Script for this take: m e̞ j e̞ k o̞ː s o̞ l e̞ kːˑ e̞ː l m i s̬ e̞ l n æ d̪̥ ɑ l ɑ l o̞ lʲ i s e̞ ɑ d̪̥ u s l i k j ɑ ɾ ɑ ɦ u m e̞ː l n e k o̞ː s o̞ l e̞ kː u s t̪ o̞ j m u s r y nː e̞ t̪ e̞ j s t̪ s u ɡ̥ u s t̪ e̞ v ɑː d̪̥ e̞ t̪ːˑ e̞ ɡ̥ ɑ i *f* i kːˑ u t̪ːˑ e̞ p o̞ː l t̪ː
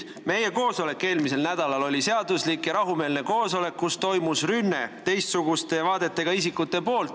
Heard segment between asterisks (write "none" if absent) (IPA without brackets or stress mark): s